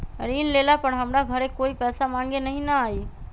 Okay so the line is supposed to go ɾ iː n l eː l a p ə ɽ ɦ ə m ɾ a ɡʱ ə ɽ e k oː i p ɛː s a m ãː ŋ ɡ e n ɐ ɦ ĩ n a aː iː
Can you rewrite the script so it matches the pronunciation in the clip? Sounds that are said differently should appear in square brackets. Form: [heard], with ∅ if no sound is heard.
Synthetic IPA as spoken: ɾ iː n l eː l a p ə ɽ ɦ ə m ɾ a ɡʱ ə [ɾ] e k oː i p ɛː s a m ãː ŋ ɡ e n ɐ ɦ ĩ n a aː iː